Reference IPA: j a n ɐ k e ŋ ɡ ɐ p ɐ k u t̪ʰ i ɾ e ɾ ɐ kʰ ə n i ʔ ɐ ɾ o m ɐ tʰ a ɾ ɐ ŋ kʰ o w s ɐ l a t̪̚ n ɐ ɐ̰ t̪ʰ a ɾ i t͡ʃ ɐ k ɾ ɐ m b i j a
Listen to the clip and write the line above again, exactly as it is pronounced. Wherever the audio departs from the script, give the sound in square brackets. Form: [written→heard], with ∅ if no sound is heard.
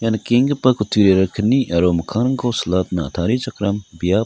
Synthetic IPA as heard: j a n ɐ k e ŋ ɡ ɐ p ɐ k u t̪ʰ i ɾ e ɾ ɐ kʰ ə n i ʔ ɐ ɾ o m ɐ [tʰ→kʰ] a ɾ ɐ ŋ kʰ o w s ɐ l a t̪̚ n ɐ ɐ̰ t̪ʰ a ɾ i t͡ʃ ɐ k ɾ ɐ m b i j a